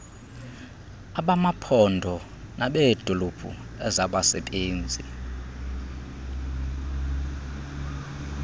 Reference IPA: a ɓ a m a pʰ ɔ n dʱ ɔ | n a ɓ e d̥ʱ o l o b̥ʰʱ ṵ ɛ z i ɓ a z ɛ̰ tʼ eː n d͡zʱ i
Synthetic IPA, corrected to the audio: a ɓ a m a pʰ ɔ n dʱ ɔ | n a ɓ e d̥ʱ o l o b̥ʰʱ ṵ ɛ z a ɓ a s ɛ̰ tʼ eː n d͡zʱ i